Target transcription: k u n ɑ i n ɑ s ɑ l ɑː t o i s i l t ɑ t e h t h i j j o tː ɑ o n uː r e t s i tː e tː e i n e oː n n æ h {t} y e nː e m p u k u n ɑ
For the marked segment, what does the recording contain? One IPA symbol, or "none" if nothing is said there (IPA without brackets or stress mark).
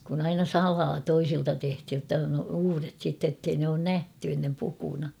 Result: t